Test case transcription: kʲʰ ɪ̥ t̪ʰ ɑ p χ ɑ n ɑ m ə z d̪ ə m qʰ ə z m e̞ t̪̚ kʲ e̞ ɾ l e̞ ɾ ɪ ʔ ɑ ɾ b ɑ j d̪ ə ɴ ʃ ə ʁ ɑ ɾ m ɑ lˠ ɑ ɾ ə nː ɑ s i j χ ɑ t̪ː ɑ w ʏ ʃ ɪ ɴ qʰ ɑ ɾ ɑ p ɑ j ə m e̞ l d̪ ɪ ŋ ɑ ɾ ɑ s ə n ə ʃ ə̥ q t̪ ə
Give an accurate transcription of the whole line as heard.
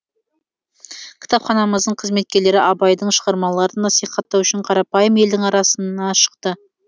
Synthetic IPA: kʲʰ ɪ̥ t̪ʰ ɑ p χ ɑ n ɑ m ə z d̪ ə ɴ qʰ ə z m e̞ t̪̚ kʲ e̞ ɾ l e̞ ɾ ɪ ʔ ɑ b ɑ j d̪ ə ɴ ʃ ə ʁ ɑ ɾ m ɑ lˠ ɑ ɾ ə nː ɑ s i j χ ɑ t̪ː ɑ w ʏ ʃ ɪ ɴ qʰ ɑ ɾ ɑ p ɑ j ə m e̞ l d̪ ɪ ŋ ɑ ɾ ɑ s ə n ɑ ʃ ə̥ q t̪ ə